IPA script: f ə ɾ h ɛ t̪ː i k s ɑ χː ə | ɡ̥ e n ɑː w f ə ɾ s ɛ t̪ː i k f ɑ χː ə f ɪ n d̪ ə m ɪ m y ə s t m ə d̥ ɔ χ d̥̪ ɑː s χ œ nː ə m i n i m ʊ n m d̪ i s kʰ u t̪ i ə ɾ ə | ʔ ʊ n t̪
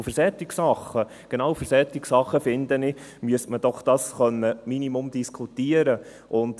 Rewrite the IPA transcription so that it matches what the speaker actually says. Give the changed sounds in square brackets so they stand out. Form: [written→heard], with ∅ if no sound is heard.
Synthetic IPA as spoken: f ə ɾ [h→s] ɛ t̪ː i k s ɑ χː ə | ɡ̥ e n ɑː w f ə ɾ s ɛ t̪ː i k [f→s] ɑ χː ə f ɪ n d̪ ə [m→n] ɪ m y ə s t m ə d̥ ɔ χ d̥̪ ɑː s χ œ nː ə m i n i m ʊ [n→∅] m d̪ i s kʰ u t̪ i ə ɾ ə | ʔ ʊ n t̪